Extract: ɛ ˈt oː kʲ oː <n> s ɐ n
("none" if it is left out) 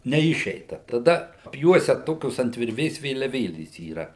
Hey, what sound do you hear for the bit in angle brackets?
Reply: none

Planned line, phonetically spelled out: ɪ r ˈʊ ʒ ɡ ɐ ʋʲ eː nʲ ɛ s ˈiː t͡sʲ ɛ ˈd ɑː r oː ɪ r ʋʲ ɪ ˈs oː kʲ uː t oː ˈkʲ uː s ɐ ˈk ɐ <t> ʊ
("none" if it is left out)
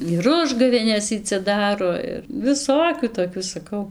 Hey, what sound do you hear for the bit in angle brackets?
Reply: none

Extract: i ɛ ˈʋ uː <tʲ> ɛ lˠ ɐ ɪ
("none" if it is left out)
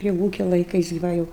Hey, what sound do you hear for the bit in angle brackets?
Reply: kʲ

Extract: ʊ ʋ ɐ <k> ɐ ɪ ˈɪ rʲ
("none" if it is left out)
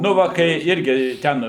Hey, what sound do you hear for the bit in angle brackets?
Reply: k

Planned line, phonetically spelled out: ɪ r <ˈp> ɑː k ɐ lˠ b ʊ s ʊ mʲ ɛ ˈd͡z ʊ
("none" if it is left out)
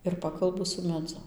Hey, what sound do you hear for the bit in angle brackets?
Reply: p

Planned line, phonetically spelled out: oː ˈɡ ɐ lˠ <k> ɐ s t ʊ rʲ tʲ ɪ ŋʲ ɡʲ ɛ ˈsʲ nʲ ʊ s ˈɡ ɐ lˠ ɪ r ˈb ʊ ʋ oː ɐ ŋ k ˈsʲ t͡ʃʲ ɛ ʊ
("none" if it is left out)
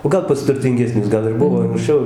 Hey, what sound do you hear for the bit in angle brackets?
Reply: p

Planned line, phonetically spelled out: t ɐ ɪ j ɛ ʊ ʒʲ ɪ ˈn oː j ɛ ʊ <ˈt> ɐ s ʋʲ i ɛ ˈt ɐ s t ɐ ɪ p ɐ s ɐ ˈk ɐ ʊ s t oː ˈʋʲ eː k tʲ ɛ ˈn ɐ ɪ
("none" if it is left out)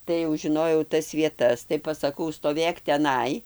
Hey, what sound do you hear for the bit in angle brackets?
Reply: t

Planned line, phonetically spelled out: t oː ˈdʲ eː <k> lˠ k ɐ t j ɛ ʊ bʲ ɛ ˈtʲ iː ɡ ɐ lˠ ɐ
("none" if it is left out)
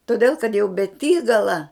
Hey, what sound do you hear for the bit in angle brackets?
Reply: none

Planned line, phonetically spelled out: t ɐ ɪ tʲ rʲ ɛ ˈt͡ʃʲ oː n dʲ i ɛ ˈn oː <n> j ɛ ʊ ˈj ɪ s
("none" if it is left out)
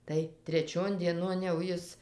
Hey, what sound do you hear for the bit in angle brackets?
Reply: n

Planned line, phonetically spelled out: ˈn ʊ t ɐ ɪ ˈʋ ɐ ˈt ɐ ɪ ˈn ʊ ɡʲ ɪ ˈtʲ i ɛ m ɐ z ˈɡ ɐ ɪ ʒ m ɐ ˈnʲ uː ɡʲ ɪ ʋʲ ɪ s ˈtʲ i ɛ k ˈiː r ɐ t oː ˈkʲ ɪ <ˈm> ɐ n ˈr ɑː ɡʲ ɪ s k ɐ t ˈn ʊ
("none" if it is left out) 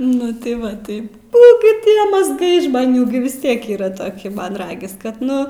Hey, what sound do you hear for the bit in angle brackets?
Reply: m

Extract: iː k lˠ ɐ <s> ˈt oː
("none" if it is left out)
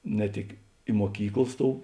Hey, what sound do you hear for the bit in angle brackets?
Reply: s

